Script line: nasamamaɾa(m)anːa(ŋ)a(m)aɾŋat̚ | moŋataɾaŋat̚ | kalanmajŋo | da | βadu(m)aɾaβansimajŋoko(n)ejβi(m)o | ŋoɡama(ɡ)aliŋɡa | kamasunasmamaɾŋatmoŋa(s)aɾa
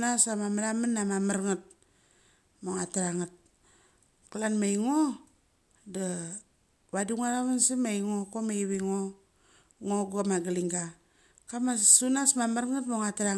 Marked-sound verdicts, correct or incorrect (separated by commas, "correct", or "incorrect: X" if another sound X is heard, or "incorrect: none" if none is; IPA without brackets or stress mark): correct, incorrect: m, correct, incorrect: ŋ, incorrect: m, incorrect: ŋ, correct, incorrect: t